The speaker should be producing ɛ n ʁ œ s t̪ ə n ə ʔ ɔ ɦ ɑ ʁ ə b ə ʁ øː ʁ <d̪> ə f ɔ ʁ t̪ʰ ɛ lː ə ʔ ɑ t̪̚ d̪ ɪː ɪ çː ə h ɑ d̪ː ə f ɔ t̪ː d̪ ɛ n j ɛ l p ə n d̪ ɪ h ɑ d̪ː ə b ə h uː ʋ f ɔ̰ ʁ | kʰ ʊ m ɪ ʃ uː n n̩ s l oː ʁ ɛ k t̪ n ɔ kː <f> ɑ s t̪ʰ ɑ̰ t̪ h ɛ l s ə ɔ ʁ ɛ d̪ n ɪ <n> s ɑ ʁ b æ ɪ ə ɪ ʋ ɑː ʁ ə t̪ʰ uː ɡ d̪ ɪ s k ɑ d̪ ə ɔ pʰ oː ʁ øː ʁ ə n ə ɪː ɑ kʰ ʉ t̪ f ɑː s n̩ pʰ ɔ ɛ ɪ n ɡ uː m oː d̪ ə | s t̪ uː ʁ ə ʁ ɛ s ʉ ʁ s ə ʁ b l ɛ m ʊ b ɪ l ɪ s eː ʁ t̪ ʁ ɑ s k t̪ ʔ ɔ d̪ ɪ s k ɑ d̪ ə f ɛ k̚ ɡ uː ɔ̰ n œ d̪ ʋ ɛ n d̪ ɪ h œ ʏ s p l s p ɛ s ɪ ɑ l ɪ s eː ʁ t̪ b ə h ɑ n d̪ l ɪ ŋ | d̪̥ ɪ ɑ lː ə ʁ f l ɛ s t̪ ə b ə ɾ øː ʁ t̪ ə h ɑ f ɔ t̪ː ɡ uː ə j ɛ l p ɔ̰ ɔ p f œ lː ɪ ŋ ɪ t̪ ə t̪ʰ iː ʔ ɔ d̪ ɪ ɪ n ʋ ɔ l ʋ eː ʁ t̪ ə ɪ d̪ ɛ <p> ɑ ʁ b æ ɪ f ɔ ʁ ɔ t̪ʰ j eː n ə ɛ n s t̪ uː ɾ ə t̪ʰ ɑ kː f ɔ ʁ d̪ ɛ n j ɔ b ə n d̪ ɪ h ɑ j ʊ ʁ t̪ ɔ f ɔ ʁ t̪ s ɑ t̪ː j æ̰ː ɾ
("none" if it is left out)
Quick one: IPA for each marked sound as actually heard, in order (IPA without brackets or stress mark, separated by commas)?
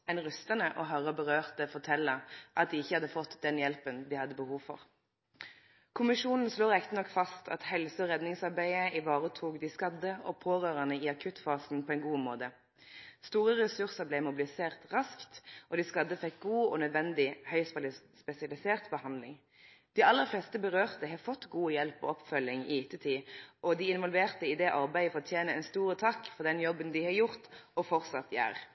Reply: t̪, f, ŋ, ʔ